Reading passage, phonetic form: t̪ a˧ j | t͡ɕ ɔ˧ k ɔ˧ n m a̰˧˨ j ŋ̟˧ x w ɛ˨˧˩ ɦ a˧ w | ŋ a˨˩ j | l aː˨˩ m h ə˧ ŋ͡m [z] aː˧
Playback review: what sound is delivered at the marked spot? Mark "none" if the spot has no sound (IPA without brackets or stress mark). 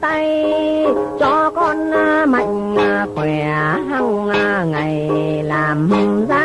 z